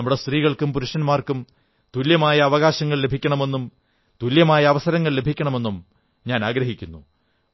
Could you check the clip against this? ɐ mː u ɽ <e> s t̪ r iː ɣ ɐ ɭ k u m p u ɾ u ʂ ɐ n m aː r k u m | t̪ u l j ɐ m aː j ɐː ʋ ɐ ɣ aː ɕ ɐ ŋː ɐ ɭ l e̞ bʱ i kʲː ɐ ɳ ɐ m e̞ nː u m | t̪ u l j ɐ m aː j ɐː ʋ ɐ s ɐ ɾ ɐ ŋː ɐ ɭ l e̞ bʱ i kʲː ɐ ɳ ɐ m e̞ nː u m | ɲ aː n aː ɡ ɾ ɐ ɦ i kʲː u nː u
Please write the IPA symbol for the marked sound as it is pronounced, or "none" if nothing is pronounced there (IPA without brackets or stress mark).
e